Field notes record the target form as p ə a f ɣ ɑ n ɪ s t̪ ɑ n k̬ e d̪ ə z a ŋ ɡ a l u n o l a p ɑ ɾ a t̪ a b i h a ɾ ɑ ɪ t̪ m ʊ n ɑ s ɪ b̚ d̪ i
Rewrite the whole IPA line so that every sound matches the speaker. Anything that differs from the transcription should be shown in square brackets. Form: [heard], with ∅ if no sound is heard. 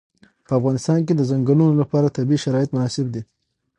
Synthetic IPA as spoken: p ə a f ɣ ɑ n ɪ s t̪ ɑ n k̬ e d̪ ə z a ŋ ɡ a l u n o l a p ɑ ɾ a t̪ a b i [ʃ] a ɾ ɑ ɪ t̪ m ʊ n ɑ s ɪ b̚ d̪ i